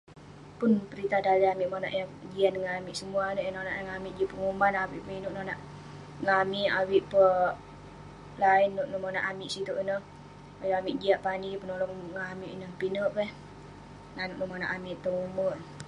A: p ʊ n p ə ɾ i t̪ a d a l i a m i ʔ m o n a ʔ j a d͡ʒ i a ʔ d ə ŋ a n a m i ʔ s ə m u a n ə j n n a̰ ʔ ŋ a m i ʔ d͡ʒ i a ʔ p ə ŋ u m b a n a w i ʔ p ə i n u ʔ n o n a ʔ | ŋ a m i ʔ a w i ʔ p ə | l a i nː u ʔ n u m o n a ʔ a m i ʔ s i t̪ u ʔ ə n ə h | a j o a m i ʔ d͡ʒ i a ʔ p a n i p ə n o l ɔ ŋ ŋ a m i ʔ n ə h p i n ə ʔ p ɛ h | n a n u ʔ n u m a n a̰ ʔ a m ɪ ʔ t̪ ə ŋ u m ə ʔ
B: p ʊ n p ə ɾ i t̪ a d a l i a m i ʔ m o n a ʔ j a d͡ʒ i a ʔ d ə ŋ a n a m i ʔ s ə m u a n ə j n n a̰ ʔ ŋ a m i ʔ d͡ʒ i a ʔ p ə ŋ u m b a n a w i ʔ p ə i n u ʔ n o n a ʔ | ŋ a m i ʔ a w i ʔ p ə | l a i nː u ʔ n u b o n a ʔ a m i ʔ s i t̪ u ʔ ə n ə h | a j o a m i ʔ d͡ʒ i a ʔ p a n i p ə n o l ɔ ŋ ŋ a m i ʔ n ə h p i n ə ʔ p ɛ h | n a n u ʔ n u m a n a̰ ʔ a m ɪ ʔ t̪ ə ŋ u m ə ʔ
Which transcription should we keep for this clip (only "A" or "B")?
A